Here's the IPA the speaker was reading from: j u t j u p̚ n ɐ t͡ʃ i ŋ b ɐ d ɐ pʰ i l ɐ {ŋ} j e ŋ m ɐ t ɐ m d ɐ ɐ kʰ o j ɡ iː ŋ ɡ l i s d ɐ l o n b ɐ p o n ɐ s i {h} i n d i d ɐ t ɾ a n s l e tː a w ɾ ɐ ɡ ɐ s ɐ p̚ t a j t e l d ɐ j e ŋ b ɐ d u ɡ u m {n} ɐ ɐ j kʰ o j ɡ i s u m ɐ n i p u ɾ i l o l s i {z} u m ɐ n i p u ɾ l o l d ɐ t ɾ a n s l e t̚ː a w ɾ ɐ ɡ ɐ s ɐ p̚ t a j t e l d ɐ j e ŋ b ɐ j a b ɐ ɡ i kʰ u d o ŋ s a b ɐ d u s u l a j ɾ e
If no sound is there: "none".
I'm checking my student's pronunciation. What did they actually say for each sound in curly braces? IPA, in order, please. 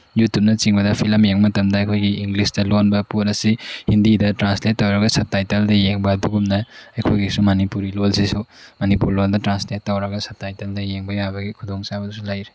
m, h, n, s

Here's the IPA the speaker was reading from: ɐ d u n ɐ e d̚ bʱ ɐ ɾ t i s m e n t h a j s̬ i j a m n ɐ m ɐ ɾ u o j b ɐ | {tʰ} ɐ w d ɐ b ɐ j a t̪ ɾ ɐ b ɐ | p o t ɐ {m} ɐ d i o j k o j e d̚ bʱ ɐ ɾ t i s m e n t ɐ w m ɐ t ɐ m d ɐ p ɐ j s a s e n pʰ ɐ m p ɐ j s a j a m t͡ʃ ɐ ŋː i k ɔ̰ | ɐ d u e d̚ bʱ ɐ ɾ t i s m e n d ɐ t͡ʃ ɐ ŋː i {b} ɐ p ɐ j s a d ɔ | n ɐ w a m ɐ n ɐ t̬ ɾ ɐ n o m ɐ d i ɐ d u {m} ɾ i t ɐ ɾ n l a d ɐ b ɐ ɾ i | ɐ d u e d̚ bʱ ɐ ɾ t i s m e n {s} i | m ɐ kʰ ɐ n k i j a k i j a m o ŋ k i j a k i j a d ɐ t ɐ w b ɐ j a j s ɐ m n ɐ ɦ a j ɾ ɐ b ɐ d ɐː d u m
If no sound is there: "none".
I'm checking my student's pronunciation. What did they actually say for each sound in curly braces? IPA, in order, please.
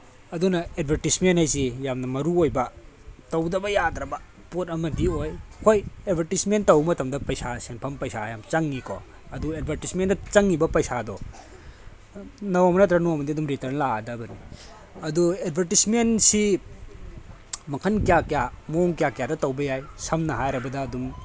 t, m, b, m, s

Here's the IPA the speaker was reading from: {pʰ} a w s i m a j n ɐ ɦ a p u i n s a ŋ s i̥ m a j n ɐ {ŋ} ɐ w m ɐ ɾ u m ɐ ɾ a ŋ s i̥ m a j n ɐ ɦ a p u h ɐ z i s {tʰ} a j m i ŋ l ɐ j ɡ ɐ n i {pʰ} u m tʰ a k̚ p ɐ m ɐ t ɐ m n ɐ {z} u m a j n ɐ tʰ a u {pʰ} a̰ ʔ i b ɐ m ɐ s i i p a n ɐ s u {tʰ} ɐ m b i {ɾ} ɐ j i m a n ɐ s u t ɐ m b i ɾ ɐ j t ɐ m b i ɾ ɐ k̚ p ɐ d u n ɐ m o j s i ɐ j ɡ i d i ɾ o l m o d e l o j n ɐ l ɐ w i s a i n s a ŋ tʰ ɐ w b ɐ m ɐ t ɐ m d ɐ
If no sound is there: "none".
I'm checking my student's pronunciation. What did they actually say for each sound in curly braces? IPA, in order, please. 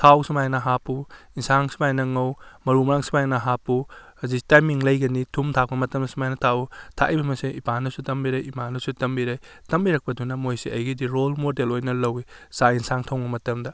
tʰ, ŋ, t, tʰ, s, tʰ, t, ɾ

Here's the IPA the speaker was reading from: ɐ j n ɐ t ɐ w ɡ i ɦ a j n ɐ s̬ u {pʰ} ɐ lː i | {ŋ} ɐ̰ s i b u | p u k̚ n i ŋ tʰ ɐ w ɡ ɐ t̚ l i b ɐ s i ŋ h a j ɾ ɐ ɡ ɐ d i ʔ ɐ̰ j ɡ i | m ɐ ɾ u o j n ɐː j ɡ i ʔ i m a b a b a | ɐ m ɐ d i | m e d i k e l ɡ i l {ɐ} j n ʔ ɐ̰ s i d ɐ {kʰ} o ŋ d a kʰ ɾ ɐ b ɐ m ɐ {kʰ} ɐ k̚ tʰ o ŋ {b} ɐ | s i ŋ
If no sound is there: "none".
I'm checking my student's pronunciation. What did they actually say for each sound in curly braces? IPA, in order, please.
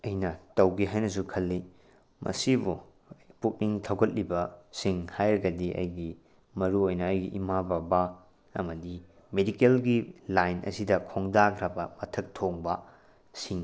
kʰ, m, a, kʰ, tʰ, b

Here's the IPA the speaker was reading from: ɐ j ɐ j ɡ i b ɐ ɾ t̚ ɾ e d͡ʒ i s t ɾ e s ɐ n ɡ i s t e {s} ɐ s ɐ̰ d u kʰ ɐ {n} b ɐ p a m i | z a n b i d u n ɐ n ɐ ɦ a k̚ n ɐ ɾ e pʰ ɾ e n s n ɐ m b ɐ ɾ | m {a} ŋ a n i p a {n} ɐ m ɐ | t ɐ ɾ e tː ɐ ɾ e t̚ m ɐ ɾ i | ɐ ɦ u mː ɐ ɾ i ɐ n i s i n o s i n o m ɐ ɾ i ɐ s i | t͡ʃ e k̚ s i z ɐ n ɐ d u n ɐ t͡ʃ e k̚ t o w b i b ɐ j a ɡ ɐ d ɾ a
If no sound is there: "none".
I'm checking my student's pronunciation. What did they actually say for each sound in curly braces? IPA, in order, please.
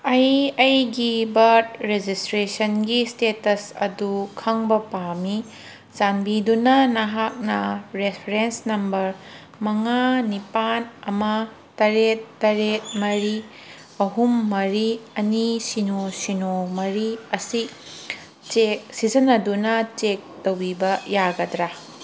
t, ŋ, ɐ, n

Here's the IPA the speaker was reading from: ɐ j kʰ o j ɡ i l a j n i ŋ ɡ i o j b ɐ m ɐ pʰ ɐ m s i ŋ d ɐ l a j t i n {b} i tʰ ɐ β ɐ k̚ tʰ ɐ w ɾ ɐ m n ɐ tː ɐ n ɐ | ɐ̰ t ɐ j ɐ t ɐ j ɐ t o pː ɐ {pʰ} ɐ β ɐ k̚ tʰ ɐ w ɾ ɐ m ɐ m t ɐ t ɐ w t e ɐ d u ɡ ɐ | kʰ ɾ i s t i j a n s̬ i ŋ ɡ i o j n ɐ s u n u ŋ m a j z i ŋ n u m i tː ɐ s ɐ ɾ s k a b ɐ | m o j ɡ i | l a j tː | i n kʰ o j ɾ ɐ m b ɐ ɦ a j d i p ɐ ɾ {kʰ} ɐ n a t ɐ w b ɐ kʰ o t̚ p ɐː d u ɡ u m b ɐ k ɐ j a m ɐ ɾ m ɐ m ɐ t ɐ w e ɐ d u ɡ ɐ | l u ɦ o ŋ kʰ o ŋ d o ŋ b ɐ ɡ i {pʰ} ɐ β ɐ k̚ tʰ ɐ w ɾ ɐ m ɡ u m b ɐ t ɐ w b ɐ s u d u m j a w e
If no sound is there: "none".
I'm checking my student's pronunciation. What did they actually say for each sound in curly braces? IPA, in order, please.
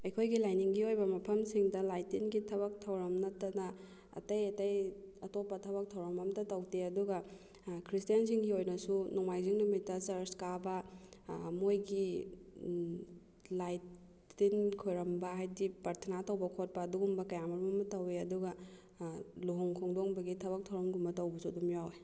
ɡ, tʰ, tʰ, tʰ

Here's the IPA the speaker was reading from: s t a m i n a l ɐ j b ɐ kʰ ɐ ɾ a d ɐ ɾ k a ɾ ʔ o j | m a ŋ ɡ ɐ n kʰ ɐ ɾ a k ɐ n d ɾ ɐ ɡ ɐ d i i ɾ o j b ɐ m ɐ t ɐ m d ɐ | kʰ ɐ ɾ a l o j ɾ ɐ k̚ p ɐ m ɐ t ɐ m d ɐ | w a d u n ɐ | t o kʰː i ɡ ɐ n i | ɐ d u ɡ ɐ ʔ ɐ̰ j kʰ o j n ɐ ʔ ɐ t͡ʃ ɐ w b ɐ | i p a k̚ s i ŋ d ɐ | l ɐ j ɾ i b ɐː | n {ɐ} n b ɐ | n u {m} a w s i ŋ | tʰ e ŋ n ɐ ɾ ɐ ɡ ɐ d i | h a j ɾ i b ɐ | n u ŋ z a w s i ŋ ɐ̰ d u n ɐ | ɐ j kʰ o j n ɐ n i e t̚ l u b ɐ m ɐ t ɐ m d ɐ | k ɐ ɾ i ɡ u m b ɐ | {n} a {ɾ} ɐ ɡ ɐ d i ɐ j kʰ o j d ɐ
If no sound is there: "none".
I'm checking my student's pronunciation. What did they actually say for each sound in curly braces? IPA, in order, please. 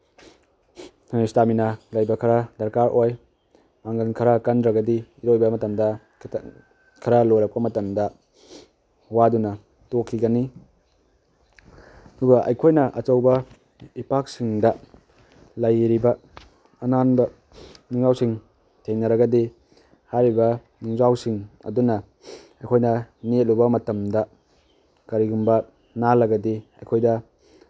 a, ŋ, n, l

